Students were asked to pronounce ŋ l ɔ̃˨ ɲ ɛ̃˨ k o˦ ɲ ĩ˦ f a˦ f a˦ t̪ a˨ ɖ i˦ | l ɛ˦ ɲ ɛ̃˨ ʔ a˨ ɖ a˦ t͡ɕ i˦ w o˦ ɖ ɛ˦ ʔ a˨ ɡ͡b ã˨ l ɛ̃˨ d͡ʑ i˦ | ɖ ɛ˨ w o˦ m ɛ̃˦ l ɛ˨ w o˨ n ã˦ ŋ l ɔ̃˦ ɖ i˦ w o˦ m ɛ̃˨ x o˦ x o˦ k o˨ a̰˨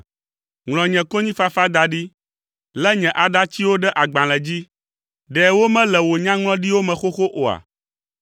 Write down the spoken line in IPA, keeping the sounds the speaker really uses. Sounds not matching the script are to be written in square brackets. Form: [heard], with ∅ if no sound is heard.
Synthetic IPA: ŋ l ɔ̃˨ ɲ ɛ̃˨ k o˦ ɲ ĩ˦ f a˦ f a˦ [d̪] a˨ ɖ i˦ | l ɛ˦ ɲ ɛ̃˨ ʔ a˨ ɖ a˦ t͡ɕ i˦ w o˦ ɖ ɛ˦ ʔ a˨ ɡ͡b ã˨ l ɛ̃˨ d͡ʑ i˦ | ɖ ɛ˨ w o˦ m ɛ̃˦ l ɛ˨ w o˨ [ɲ] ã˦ ŋ l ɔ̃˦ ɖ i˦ w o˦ m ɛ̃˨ x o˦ x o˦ [ʔ] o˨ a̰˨